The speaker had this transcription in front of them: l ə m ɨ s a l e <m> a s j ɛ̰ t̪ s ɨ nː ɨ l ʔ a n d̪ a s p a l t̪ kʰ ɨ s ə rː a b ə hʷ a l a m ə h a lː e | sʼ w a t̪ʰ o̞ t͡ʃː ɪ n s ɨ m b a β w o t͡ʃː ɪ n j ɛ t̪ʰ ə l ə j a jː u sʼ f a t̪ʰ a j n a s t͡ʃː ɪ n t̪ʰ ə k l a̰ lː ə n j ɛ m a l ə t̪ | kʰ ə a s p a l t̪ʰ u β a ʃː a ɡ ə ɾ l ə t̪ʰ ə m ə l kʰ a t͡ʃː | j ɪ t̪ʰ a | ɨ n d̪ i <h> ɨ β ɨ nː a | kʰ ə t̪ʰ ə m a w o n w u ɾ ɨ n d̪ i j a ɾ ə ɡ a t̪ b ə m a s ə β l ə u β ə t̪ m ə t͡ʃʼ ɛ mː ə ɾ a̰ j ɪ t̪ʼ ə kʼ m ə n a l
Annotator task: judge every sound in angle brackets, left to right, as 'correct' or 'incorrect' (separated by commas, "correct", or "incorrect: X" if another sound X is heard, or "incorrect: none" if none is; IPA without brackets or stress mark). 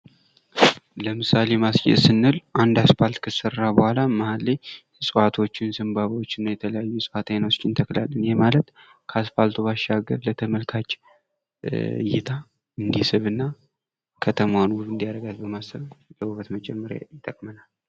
correct, incorrect: s